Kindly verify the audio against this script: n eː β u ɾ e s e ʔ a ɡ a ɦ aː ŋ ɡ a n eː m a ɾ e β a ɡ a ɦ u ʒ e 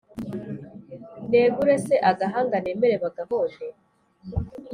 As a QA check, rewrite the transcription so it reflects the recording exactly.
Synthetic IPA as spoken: n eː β u ɾ e s e ʔ a ɡ a ɦ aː ŋ ɡ a n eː m e ɾ e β a ɡ a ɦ o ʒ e